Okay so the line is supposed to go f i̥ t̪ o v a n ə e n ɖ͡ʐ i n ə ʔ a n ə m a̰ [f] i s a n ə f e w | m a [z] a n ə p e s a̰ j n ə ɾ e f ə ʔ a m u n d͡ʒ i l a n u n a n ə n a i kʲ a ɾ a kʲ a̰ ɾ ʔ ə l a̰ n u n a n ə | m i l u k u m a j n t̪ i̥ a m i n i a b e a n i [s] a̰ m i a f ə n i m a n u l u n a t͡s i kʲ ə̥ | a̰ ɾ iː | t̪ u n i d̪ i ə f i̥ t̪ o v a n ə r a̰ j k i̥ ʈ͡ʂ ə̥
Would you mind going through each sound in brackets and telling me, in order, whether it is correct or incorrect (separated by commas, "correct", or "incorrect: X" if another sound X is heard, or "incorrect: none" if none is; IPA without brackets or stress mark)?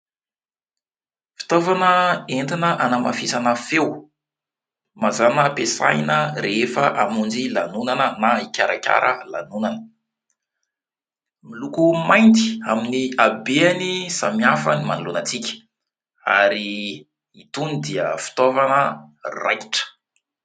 correct, correct, correct